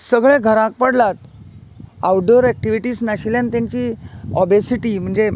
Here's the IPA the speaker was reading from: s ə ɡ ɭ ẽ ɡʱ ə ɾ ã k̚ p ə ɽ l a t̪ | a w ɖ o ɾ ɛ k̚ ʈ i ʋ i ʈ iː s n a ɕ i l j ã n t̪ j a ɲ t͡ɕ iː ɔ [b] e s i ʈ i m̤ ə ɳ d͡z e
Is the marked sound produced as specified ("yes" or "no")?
yes